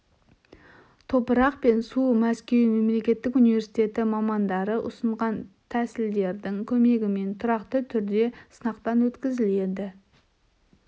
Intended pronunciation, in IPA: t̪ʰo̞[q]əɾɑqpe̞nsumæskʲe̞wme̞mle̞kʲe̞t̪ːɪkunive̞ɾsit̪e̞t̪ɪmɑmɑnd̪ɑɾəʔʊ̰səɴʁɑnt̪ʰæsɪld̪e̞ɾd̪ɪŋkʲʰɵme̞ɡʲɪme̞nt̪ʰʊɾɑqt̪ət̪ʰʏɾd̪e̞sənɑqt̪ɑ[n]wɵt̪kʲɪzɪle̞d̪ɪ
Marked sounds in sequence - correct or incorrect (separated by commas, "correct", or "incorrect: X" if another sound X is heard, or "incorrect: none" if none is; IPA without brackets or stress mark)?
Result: incorrect: p, correct